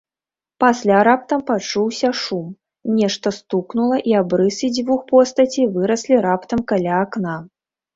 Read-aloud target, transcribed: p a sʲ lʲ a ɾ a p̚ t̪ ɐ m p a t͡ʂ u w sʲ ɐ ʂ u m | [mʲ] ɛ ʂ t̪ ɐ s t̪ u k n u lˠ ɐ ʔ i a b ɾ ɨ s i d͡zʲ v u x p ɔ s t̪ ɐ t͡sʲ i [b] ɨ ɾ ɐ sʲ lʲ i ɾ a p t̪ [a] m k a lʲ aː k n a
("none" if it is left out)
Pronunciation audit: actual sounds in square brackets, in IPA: nʲ, v, ɐ

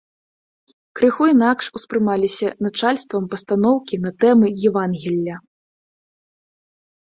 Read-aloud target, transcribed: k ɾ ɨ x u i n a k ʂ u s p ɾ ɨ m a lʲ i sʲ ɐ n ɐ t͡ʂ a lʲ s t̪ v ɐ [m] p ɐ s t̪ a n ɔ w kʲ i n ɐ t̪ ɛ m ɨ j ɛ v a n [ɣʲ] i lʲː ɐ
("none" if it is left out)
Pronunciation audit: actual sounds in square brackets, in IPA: m, ɣʲ

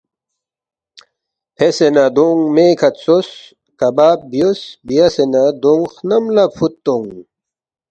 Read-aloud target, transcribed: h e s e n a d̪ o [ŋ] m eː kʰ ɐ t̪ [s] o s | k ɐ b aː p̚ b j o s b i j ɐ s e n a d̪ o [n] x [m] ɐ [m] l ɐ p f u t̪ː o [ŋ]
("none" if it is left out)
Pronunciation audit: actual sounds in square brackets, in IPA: ŋ, s, ŋ, n, m, ŋ

